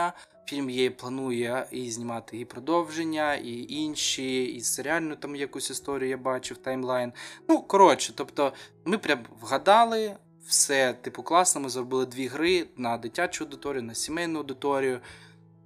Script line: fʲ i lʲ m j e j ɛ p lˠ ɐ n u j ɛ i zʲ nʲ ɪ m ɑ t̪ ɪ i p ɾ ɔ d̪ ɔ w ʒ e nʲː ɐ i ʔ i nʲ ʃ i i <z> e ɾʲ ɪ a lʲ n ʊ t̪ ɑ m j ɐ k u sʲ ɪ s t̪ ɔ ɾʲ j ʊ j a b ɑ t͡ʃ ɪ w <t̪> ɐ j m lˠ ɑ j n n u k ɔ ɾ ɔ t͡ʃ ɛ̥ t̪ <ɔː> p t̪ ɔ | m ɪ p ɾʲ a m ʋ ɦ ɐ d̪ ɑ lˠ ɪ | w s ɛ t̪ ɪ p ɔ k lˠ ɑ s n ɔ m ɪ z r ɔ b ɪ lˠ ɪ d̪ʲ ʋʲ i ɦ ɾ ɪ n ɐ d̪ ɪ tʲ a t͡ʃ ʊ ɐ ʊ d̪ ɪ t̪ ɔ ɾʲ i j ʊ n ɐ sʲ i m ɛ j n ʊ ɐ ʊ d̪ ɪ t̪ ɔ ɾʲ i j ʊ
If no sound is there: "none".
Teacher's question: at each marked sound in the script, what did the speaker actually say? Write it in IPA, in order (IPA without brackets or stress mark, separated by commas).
s, t̪, ɔ